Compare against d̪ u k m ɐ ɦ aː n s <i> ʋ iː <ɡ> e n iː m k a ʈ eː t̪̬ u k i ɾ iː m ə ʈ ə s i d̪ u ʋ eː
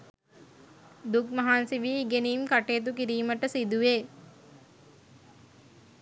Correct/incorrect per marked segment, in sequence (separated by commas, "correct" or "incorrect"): correct, correct